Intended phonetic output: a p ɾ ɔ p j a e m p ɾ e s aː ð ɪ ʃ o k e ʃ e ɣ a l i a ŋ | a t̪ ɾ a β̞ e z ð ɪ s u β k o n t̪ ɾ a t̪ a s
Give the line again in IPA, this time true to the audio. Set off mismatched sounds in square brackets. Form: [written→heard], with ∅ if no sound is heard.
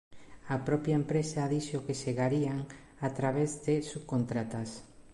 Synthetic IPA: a p ɾ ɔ p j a e m p ɾ e s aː ð [ɪ→i] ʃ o k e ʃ e ɣ a [l→ɾ] i a ŋ | a t̪ ɾ a β̞ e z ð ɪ s u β k o n t̪ ɾ a t̪ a s